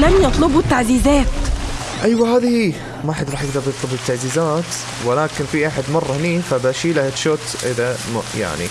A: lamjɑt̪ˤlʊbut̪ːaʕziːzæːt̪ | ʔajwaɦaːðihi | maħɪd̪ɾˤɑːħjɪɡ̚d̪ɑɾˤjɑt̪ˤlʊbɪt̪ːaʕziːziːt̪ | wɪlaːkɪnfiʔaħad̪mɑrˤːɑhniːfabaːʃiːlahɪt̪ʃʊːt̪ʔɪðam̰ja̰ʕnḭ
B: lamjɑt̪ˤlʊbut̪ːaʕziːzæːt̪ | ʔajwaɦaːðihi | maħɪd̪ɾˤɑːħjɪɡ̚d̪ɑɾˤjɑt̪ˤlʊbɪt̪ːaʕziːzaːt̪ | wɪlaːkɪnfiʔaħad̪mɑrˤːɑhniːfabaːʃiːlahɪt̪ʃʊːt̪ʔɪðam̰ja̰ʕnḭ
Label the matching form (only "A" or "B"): B